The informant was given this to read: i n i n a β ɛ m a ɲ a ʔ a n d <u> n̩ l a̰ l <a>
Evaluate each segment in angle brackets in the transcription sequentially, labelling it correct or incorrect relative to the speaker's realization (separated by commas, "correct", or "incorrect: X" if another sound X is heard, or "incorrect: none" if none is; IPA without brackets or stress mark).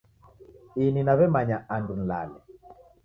correct, incorrect: ɛ